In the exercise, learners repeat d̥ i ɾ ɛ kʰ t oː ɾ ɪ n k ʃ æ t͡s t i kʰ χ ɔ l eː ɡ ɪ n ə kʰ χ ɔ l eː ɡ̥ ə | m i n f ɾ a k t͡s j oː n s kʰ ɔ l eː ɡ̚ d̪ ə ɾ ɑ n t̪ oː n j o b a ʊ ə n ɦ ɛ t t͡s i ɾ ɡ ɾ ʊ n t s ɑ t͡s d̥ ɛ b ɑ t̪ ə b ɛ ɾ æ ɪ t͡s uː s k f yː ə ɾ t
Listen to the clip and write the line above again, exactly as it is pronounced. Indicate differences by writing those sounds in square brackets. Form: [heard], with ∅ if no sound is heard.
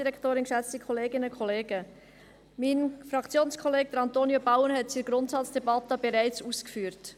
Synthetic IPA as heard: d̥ i ɾ ɛ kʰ t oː ɾ ɪ n k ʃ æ t͡s t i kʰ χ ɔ l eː ɡ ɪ n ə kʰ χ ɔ l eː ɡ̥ ə | m i n f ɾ [ɑ] k t͡s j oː n s kʰ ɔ l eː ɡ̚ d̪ ə ɾ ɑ n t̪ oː n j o b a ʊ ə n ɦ ɛ t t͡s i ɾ ɡ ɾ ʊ n t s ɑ t͡s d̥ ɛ b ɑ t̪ ə b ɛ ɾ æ ɪ t͡s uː s k f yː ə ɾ t